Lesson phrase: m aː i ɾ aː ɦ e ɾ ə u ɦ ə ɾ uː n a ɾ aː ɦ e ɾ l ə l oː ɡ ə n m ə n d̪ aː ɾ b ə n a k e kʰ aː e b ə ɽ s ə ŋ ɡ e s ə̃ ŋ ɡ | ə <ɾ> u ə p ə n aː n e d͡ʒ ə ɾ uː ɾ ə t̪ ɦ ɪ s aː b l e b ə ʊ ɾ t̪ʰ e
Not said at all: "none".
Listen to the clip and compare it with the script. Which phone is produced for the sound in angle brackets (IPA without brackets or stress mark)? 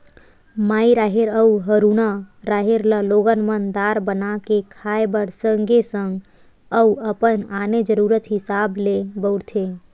none